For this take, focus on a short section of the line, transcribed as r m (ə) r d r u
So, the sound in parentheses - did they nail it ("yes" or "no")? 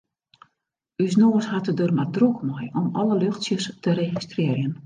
no